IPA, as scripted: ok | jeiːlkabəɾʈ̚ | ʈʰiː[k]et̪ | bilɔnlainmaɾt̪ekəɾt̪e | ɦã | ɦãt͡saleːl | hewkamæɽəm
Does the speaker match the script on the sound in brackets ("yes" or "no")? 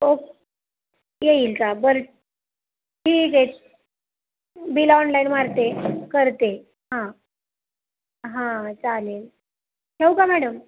yes